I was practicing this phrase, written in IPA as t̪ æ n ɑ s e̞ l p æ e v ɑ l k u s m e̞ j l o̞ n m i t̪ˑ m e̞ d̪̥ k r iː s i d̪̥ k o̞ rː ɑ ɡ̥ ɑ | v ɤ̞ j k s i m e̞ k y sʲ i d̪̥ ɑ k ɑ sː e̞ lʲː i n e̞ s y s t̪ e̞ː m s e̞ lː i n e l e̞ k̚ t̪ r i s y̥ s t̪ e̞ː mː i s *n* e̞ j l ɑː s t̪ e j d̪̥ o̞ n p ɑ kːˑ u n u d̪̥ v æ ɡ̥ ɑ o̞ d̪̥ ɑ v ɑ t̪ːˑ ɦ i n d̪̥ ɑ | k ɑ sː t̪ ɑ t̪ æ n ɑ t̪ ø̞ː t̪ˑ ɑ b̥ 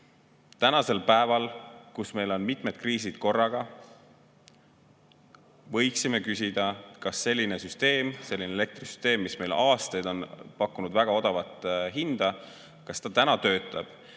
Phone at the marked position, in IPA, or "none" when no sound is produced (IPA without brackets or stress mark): m